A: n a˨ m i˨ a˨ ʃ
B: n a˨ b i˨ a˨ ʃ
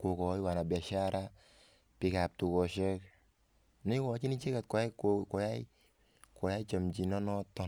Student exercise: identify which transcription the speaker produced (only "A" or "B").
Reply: B